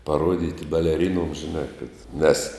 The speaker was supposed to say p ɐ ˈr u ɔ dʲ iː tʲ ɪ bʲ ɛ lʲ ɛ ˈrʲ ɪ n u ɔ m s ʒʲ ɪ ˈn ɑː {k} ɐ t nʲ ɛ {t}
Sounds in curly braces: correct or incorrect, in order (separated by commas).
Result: correct, incorrect